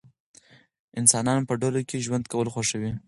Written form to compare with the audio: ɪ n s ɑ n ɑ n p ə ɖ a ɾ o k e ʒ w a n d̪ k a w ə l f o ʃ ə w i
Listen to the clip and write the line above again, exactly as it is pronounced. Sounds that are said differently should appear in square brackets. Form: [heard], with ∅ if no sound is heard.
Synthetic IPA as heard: ɪ n s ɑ n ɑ n p ə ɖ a [l] o k e ʒ w a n d̪ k a w ə l [x] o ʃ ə w i